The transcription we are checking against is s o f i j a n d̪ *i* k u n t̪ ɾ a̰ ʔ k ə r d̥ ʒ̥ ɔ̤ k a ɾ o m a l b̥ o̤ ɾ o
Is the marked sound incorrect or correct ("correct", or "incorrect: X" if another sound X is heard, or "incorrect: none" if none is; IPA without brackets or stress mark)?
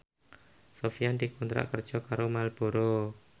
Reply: correct